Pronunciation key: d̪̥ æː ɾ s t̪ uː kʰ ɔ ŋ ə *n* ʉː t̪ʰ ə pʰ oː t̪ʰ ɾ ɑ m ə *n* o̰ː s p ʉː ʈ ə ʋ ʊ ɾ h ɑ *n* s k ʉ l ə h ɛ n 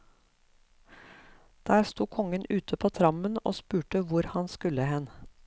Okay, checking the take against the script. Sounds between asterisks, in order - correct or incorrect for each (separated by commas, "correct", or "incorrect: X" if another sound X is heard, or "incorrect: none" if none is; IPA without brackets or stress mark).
correct, correct, correct